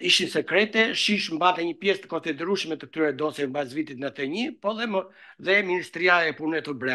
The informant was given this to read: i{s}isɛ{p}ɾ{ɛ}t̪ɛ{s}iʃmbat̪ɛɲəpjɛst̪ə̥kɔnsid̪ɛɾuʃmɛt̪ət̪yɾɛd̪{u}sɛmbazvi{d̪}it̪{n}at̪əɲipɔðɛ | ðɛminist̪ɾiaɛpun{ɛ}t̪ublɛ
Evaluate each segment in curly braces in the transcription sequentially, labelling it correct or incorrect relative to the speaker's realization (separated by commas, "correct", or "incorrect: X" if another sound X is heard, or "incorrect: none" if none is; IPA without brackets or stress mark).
incorrect: ʃ, incorrect: k, correct, incorrect: ʃ, incorrect: ɔ, incorrect: t̪, correct, correct